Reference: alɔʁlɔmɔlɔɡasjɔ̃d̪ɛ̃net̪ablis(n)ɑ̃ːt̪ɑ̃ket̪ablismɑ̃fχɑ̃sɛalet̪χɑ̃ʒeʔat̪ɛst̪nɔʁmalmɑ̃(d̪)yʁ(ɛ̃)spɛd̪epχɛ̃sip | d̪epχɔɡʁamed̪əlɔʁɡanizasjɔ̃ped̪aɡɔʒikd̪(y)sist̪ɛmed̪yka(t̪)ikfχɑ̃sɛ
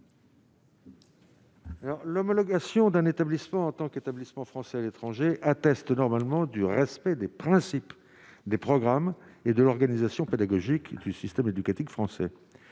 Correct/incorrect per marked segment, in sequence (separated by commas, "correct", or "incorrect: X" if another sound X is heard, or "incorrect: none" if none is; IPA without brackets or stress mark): incorrect: m, correct, incorrect: ɛ, correct, correct